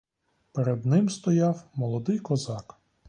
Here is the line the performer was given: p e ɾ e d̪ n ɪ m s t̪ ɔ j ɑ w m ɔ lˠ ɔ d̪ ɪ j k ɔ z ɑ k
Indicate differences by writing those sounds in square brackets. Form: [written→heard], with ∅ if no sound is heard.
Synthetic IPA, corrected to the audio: p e ɾ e d̪ n ɪ m s t̪ ɔ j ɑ w m ɔ lˠ ɔ d̪ ɪ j k ɔ z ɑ k